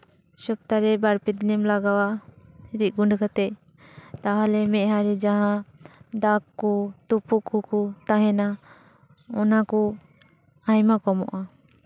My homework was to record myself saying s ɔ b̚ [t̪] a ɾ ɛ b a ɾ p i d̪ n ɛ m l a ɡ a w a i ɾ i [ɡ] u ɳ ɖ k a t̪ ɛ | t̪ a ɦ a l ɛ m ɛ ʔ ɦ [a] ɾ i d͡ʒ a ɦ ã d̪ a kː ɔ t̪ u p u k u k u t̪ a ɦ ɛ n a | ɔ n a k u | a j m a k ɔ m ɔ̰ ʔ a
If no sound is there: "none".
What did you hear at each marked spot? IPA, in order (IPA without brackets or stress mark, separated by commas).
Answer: t̪, ɡ, a